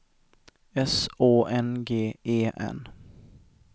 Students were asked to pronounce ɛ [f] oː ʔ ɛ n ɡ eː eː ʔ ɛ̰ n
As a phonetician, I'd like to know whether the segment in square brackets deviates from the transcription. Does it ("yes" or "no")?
yes